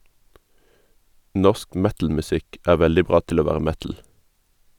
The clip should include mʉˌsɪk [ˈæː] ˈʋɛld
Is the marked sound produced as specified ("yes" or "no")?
yes